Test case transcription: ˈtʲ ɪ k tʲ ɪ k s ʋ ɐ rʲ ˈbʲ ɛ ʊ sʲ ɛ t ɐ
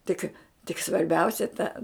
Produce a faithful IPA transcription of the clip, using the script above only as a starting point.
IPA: ˈtʲ ɪ k tʲ ɪ k s ʋ ɐ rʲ ˈbʲ ɛ ʊ sʲ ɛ t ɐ